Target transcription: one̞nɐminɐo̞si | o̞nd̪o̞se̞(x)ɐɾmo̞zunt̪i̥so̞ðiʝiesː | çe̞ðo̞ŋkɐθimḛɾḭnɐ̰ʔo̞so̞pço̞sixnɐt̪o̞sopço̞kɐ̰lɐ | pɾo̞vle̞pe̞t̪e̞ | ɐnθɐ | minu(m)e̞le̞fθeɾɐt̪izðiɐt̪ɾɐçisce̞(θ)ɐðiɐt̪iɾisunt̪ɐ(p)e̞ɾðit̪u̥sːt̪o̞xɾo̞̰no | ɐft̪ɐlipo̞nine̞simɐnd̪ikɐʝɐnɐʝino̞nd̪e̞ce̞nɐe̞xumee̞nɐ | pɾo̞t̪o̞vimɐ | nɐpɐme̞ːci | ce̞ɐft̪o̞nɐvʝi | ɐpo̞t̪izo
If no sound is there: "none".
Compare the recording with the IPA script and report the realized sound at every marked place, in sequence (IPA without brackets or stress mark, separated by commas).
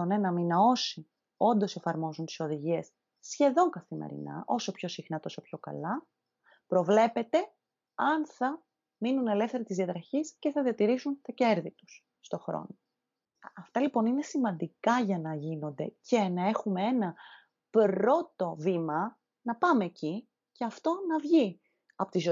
f, n, θ, c